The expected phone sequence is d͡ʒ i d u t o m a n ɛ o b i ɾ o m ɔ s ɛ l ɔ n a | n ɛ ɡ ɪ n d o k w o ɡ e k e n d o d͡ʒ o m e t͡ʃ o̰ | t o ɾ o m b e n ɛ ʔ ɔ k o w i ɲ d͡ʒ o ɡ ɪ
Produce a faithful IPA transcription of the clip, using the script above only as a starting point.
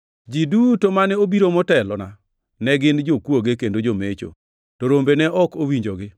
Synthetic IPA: d͡ʒ i d u t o m a n ɛ o b i ɾ o m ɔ t ɛ l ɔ n a | n ɛ ɡ ɪ n d͡ʒ o k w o ɡ e k e n d o d͡ʒ o m e t͡ʃ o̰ | t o ɾ o m b e n ɛ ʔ ɔ k o w i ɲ d͡ʒ o ɡ ɪ